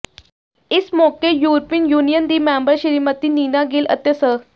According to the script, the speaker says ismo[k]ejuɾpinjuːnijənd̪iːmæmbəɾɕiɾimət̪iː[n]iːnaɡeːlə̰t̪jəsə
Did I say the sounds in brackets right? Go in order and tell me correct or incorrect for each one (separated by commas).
correct, correct